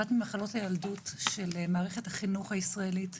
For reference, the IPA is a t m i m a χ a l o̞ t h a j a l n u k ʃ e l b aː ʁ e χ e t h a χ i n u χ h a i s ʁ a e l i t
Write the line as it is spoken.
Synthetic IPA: a t m i m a χ a l o̞ t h a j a l d u t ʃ e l m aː ʁ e χ e t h a χ i n u χ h a i s ʁ a e l i t